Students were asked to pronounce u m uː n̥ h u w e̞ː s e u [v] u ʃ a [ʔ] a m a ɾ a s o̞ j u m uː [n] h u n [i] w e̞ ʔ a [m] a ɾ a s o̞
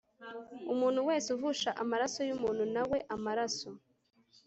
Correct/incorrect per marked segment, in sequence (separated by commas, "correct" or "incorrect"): correct, correct, correct, incorrect, correct